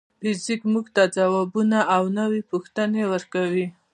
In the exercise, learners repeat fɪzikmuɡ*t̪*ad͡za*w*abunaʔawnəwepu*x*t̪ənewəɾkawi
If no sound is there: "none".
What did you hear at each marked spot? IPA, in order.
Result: t̪, w, x

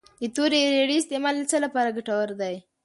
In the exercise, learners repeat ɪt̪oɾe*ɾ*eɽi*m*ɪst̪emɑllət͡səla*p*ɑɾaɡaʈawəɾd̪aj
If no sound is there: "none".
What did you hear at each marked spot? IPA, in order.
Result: ɾ, none, p

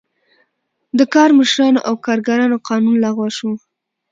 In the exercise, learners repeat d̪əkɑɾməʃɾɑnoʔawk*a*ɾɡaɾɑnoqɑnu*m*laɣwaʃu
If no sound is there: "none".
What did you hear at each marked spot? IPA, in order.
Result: ɑ, n

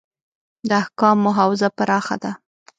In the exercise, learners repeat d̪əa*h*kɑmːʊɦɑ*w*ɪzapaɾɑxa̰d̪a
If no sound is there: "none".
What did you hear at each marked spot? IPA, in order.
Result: h, w

